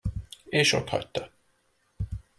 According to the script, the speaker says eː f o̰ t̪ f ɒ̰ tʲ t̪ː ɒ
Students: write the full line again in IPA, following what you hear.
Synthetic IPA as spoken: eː ʃ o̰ t̪ h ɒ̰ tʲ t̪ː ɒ